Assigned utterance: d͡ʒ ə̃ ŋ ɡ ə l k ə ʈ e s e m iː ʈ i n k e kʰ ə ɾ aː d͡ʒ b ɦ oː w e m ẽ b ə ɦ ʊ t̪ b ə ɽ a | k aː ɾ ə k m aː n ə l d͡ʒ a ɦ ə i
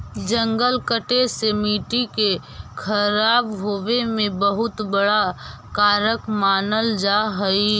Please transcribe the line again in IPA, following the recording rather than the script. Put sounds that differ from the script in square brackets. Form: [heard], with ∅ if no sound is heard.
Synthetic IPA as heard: d͡ʒ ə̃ ŋ ɡ ə l k ə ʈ e s e m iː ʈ i [∅] k e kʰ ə ɾ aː [∅] b ɦ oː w e m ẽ b ə ɦ ʊ t̪ b ə ɽ a | k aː ɾ ə k m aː n ə l d͡ʒ a ɦ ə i